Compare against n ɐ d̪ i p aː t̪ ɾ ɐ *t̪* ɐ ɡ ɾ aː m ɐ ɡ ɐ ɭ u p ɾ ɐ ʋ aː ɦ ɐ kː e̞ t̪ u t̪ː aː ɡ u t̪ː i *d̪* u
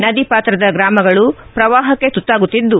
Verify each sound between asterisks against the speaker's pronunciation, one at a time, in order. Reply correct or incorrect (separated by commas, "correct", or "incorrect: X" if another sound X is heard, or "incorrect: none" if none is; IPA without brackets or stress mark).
incorrect: d̪, incorrect: d̪ː